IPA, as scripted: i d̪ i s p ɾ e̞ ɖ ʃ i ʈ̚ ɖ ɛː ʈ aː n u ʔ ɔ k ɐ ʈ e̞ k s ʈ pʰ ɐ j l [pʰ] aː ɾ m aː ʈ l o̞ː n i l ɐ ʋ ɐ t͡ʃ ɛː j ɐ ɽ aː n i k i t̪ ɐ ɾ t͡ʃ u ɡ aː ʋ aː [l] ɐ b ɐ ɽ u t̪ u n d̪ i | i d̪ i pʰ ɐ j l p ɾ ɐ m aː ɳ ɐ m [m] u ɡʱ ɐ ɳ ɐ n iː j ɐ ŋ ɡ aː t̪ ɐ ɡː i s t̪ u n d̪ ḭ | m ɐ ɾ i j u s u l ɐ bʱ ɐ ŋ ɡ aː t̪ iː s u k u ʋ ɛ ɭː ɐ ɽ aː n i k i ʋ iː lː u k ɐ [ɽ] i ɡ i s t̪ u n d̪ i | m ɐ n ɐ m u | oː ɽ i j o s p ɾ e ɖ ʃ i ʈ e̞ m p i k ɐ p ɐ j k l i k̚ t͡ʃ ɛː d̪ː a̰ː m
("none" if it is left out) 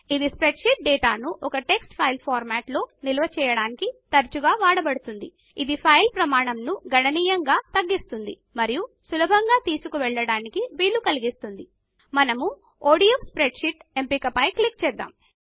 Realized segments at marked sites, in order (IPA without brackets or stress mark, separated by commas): pʰ, ɽ, n, l